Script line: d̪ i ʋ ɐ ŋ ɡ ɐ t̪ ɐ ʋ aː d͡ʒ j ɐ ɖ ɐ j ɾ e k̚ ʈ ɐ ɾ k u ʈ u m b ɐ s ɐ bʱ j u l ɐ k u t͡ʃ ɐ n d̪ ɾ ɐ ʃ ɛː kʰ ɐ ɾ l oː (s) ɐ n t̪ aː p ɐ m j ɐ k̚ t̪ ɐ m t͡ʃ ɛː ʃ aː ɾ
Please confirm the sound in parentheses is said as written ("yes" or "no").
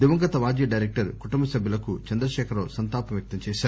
yes